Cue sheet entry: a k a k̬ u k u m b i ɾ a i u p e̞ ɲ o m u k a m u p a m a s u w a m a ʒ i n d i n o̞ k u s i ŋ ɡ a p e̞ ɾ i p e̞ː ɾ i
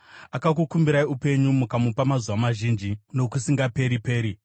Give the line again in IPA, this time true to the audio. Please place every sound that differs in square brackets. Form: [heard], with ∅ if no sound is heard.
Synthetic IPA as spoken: a k a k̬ u k u m b i ɾ a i u p e̞ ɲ [u] m u k a m u p a m a [z] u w a m a ʒ i n [d͡ʒ] i n o̞ k u s i ŋ ɡ a p e̞ ɾ i p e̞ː ɾ i